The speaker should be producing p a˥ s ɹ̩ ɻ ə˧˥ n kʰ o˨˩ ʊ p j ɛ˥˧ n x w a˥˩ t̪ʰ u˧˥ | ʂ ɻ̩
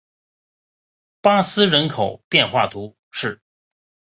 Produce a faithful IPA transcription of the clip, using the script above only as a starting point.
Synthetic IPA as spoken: p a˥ s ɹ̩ ɻ ə˧˥ n kʰ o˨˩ ʊ p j ɛ˥˧ n x w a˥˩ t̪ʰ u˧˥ | ʂ ɻ̩